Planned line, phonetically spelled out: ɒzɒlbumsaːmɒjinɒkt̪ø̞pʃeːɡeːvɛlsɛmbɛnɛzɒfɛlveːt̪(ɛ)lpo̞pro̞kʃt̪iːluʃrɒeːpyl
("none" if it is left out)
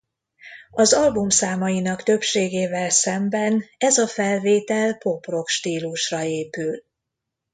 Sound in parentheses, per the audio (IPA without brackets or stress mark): ɛ